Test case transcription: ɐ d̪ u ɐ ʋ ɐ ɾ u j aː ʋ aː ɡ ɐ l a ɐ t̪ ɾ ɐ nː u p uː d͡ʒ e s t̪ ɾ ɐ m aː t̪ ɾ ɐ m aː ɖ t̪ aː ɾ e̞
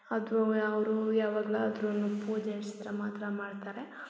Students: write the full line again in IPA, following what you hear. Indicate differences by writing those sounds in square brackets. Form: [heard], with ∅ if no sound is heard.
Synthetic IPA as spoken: ɐ d̪ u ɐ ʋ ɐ ɾ u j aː ʋ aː ɡ ɐ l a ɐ [d̪] ɾ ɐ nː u p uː d͡ʒ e s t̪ ɾ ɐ m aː t̪ ɾ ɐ m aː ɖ t̪ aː ɾ e̞

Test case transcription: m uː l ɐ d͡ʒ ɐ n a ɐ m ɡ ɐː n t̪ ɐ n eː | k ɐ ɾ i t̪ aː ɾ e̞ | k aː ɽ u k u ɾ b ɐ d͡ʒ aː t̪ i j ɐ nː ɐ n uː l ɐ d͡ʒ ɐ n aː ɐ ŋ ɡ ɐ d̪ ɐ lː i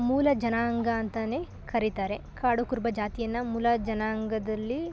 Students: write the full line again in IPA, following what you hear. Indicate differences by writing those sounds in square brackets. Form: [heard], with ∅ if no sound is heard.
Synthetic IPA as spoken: m uː l ɐ d͡ʒ ɐ n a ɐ [ŋ] ɡ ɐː n t̪ ɐ n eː | k ɐ ɾ i t̪ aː ɾ e̞ | k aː ɽ u k u ɾ b ɐ d͡ʒ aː t̪ i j ɐ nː ɐ [m] uː l ɐ d͡ʒ ɐ n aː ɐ ŋ ɡ ɐ d̪ ɐ lː i

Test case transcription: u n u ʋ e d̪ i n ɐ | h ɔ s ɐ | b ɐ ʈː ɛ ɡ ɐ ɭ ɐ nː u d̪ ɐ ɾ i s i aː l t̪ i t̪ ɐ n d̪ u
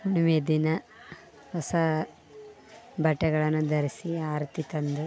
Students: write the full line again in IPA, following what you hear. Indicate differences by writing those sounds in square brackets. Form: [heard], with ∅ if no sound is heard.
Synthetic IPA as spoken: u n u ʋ e d̪ i n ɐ | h ɔ s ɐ | b ɐ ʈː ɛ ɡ ɐ ɭ ɐ nː u d̪ ɐ ɾ i s i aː [ɾ] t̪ i t̪ ɐ n d̪ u

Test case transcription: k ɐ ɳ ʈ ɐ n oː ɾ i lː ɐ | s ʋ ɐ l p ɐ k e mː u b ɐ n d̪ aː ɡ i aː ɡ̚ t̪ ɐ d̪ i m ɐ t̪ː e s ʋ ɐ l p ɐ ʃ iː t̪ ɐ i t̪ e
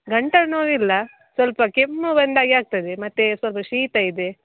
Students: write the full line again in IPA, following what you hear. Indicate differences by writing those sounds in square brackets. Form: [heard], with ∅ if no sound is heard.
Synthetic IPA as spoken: [ɡ] ɐ ɳ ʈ ɐ n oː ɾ i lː ɐ | s ʋ ɐ l p ɐ k e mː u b ɐ n d̪ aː ɡ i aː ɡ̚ t̪ ɐ d̪ [e] m ɐ t̪ː e s ʋ ɐ l p ɐ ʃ iː t̪ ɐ i [d̪] e

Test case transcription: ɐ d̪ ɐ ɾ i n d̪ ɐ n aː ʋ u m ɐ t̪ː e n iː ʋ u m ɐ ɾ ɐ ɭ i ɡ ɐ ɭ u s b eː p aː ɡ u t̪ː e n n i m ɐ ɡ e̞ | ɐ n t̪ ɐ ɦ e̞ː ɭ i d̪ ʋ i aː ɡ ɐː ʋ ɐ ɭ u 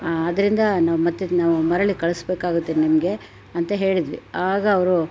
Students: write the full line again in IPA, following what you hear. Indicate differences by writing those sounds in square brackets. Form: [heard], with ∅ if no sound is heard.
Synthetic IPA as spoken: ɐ d̪ ɐ ɾ i n d̪ ɐ n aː ʋ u m ɐ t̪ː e n [aː] ʋ u m ɐ ɾ ɐ ɭ i [k] ɐ ɭ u s b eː [k] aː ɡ u t̪ː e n n i m ɐ ɡ e̞ | ɐ n t̪ ɐ ɦ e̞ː ɭ i d̪ ʋ i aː ɡ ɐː ʋ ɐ [ɾ] u

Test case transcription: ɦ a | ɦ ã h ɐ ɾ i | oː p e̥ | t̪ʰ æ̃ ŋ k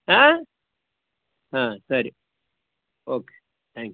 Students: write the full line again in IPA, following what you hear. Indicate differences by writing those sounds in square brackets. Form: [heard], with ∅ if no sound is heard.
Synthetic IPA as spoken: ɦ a | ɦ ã [s] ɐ ɾ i | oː [k] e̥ | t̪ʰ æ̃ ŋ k

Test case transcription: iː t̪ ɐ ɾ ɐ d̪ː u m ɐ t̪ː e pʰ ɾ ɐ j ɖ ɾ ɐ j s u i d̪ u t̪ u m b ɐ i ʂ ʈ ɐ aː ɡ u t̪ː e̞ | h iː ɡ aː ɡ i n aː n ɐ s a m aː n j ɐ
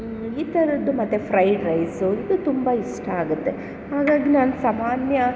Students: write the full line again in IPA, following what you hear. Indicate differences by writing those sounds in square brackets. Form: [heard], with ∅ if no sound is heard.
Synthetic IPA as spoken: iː t̪ ɐ ɾ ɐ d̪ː u m ɐ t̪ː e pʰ ɾ ɐ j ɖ ɾ ɐ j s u i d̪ u t̪ u m b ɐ i ʂ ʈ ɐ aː ɡ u t̪ː e̞ | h [aː] ɡ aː ɡ i n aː n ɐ s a m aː n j ɐ

